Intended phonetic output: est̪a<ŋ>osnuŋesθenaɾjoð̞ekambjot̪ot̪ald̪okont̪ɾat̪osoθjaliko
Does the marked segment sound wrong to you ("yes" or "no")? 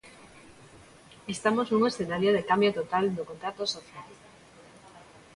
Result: yes